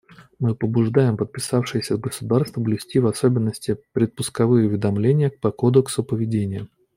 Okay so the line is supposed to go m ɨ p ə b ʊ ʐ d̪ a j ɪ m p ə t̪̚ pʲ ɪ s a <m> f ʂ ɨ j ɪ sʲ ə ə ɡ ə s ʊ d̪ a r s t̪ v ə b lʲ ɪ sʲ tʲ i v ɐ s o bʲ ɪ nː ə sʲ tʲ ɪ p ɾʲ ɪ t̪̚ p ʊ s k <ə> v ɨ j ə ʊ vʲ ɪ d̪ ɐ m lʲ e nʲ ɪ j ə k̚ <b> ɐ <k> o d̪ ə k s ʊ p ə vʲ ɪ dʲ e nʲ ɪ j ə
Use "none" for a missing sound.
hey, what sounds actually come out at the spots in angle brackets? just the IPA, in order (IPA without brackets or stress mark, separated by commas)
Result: none, ɐ, p, k